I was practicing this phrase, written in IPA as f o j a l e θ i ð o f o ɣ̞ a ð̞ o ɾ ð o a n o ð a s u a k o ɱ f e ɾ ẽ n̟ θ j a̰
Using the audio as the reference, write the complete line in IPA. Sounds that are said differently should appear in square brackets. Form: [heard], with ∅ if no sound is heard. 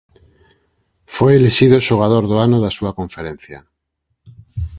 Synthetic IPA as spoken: f o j [e] l e [ʃ] i ð o [ʃ] o ɣ̞ a ð̞ o ɾ ð o a n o ð a s u a k o ɱ f e ɾ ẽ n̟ θ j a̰